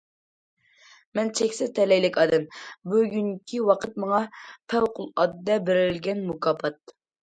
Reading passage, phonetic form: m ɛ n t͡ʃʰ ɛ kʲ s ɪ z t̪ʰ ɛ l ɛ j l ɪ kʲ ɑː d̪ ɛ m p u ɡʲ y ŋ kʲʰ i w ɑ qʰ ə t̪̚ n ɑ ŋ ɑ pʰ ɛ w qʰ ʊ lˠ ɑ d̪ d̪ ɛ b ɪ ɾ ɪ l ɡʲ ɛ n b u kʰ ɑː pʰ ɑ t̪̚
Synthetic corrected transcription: m ɛ n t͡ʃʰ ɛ kʲ s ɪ z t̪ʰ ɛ l ɛ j l ɪ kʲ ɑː d̪ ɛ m b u ɡʲ y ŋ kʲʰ i w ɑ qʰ ə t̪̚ m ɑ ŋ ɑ pʰ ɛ w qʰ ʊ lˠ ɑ d̪ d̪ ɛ b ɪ ɾ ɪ l ɡʲ ɛ n m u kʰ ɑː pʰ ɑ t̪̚